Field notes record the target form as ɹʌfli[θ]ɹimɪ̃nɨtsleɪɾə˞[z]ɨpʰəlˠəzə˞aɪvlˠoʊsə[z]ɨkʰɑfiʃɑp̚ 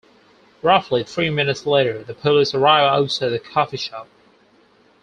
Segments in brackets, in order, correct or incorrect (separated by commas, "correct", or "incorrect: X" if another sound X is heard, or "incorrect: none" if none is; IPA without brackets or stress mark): correct, incorrect: ð, incorrect: ð